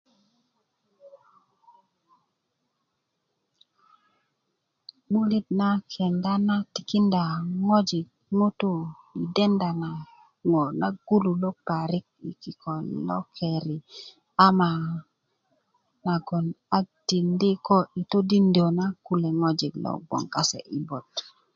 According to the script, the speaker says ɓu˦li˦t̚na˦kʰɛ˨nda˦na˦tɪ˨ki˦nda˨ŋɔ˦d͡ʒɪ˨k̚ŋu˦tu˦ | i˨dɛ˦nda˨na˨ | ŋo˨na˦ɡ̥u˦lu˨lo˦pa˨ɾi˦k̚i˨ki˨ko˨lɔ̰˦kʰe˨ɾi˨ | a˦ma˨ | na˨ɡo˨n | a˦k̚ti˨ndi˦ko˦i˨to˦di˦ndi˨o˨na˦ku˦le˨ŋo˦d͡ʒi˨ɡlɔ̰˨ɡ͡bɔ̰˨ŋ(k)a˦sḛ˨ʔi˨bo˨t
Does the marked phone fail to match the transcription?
no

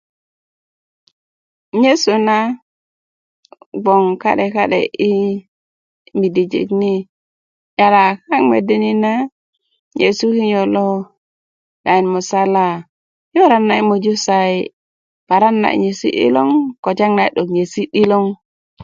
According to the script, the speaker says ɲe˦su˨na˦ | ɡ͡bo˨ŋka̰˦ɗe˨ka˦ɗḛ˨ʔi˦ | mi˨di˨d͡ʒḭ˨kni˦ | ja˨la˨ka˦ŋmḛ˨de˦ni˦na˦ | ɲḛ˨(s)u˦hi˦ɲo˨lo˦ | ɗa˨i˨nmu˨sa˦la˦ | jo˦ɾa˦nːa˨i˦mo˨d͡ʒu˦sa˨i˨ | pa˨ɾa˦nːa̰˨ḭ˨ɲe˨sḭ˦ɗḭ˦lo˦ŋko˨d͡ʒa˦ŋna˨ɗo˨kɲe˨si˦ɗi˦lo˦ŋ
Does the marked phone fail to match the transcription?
no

